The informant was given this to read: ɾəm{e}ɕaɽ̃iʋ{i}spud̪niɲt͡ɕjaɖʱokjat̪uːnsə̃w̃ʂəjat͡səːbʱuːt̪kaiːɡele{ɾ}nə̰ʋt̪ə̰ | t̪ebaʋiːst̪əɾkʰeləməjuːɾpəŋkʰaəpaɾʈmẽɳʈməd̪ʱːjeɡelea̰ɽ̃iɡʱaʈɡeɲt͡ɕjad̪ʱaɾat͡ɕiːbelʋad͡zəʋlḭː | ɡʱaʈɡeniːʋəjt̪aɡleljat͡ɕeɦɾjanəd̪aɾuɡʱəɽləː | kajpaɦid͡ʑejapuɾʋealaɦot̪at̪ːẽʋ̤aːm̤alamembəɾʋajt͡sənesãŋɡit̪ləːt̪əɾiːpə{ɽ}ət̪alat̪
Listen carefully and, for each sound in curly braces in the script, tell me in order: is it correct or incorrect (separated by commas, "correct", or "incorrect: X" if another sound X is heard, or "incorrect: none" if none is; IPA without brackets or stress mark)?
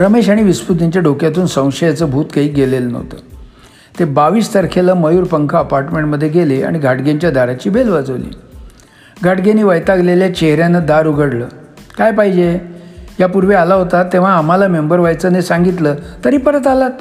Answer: correct, correct, incorrect: l, incorrect: ɾ